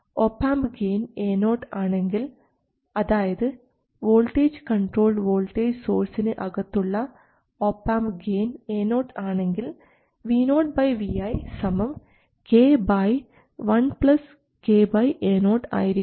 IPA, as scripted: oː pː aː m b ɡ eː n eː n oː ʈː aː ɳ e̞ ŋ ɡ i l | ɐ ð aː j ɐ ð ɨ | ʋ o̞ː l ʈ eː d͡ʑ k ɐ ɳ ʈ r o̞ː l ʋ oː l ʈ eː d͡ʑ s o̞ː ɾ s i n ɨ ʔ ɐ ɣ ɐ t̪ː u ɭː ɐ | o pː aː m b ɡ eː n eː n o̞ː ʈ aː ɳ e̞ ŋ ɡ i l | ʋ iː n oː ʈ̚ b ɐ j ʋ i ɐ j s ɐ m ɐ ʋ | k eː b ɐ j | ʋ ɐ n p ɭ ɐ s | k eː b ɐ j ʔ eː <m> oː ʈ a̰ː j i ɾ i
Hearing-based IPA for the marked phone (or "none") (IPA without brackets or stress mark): n